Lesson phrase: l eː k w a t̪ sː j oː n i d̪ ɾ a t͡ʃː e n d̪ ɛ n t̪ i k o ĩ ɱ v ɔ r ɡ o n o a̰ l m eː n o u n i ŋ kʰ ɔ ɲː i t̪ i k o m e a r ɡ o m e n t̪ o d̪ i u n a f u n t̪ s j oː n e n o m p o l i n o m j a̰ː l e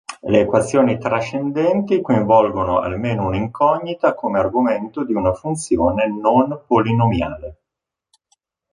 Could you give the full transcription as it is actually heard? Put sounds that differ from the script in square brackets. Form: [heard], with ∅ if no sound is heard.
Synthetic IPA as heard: l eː k w a t̪ sː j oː n i [t̪] ɾ a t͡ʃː e n d̪ ɛ n t̪ i k o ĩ ɱ v ɔ [l] ɡ o n o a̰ l m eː n o u n i ŋ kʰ ɔ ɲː i t̪ [a] k o m e a r ɡ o m e n t̪ o d̪ i u n a f u n t̪ s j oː n e n o [n] p o l i n o m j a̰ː l e